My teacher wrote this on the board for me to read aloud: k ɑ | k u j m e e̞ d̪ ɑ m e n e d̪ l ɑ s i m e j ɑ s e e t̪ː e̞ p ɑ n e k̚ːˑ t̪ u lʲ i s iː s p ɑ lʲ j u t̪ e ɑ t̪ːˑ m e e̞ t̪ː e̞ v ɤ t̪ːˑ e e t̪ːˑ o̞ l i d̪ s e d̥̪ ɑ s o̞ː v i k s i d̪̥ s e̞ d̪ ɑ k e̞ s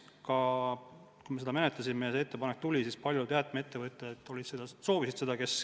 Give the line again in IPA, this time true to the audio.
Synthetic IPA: k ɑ | k u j m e e̞ d̪ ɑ m e n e t̪ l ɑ s i m e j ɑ s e e t̪ː e̞ p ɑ n e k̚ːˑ t̪ u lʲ i s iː s p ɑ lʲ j u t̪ e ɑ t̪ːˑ m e e̞ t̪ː e̞ v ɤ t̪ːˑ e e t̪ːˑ o̞ l i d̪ s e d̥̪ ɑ s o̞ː v i s i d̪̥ s e̞ d̪ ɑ k e̞ s